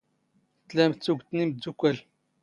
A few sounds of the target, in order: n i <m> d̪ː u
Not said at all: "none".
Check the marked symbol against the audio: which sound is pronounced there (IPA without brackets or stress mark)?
m